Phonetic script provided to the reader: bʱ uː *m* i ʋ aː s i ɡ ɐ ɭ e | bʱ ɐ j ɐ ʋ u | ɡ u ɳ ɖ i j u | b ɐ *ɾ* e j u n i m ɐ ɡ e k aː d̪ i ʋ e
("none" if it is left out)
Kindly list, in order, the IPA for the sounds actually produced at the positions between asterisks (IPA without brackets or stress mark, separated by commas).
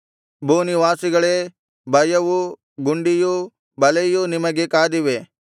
n, l